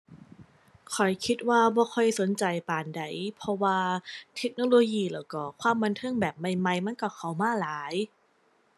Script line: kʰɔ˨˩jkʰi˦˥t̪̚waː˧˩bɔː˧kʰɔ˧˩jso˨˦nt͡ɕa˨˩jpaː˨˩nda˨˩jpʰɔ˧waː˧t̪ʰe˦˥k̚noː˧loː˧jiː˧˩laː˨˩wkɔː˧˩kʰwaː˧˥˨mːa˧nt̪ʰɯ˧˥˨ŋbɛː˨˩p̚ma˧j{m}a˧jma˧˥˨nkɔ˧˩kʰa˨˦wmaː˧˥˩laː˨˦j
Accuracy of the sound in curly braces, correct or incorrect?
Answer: correct